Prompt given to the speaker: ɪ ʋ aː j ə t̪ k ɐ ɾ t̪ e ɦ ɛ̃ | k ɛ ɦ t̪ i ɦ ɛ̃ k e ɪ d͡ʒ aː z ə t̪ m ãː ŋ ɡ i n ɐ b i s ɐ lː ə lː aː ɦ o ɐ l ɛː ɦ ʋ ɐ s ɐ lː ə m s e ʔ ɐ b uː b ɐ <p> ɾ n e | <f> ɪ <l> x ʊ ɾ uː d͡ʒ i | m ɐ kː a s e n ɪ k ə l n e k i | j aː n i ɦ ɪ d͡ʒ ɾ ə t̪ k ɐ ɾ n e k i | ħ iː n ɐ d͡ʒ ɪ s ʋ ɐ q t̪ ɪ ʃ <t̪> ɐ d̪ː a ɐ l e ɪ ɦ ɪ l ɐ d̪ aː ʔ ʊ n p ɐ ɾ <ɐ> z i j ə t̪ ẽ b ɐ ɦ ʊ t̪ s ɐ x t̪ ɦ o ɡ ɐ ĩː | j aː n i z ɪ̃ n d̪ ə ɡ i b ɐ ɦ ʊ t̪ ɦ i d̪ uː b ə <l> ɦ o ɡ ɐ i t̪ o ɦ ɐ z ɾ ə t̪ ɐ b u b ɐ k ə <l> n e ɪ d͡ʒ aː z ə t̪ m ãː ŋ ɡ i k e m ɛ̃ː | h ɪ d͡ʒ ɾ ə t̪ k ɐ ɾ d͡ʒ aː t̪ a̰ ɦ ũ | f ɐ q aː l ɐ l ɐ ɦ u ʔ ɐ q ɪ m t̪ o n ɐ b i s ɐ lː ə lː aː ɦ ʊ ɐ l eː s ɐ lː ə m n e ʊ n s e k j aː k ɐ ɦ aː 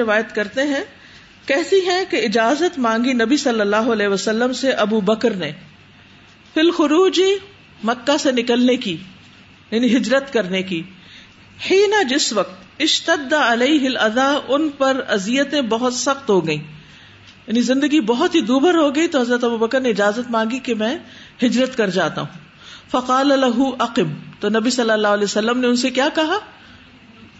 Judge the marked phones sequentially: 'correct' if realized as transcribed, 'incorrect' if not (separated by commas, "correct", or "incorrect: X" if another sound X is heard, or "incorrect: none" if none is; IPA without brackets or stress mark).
incorrect: k, correct, correct, correct, correct, incorrect: ɾ, incorrect: ɾ